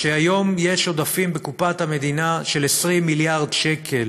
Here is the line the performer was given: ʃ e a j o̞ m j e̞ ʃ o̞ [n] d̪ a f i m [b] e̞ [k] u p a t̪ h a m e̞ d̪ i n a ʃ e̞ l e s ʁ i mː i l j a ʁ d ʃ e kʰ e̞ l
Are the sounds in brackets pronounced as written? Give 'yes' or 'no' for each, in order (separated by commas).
no, yes, yes